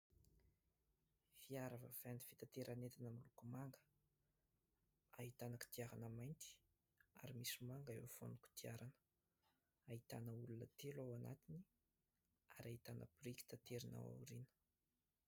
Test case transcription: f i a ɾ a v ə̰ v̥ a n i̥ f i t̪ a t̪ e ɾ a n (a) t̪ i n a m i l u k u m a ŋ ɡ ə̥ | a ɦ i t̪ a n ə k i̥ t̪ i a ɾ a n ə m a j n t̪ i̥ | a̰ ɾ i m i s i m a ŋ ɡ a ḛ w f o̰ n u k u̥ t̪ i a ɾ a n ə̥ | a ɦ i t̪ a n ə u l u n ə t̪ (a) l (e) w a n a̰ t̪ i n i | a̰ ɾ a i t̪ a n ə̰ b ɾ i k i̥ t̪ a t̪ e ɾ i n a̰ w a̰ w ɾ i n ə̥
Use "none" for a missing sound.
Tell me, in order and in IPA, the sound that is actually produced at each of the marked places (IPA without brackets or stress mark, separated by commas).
e, e, a